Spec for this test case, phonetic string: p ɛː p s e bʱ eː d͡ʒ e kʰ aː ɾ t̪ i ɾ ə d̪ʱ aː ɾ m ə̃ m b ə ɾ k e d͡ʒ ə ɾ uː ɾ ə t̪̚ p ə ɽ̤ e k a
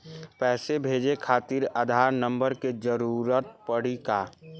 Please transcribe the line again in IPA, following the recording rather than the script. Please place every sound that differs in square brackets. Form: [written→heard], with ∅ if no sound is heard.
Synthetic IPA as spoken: p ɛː [p→∅] s e bʱ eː d͡ʒ e kʰ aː [ɾ→∅] t̪ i ɾ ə d̪ʱ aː ɾ [m→n] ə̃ m b ə ɾ k e d͡ʒ ə ɾ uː ɾ ə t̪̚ p ə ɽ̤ [e→i] k a